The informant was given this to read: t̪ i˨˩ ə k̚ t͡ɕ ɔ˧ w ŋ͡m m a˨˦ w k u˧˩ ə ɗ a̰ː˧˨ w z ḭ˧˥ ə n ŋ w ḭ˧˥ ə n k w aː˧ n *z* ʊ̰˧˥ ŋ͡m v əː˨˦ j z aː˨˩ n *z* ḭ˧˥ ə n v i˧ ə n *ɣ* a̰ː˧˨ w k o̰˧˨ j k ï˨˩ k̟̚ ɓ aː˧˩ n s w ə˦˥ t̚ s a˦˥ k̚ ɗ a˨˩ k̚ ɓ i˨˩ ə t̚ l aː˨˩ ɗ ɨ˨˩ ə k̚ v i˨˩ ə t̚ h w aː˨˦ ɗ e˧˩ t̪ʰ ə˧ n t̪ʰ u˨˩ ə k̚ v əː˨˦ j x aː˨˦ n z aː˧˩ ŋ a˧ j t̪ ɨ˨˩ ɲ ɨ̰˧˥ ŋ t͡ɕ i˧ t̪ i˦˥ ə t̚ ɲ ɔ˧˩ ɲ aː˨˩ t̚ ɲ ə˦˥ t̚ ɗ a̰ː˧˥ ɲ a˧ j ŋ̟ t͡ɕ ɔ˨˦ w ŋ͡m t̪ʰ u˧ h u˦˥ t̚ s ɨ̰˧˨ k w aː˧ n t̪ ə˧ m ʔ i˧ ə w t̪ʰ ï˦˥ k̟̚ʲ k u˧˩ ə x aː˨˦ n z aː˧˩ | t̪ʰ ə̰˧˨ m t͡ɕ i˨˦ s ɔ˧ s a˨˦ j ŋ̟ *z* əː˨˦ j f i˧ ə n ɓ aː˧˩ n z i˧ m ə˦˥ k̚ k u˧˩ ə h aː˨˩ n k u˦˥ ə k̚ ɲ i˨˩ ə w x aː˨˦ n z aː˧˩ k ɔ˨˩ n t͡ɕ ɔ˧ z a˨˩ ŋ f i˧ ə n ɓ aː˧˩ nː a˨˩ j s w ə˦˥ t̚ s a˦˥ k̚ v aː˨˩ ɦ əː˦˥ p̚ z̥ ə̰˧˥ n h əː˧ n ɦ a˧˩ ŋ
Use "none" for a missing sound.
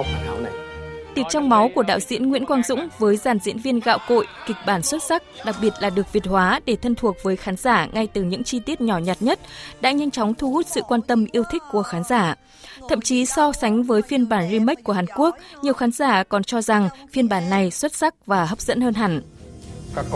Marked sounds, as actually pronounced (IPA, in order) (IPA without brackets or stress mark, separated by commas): z, z, ɣ, v